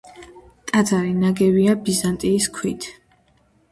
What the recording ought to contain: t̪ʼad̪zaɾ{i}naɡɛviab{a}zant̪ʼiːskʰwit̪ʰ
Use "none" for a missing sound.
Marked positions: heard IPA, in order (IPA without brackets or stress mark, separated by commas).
i, i